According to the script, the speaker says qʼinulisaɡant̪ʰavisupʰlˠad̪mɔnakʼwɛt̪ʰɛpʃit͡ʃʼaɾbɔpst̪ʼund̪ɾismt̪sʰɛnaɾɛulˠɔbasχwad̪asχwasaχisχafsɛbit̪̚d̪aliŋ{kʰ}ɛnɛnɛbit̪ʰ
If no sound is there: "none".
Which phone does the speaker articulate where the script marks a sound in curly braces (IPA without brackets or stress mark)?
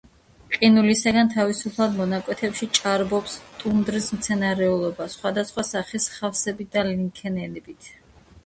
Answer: kʰ